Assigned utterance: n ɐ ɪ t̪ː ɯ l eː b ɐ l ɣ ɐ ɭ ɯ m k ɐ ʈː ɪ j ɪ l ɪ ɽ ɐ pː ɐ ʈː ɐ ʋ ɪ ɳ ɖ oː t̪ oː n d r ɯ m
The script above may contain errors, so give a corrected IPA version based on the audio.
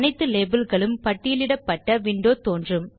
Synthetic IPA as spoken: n ɐ ɪ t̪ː ɯ l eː b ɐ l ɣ ɐ ɭ ɯ m p ɐ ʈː ɪ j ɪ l ɪ ɽ ɐ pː ɐ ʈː ɐ ʋ ɪ ɳ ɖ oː t̪ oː n d r ɯ m

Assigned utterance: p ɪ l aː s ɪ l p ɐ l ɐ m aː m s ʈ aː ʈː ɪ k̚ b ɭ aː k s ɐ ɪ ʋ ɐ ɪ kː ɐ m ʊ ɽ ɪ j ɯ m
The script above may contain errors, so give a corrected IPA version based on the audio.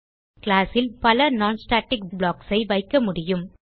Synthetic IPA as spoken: k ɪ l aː s ɪ l p ɐ l ɐ n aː n s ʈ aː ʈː ɪ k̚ b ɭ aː k s ɐ ɪ ʋ ɐ ɪ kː ɐ m ʊ ɽ ɪ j ɯ m

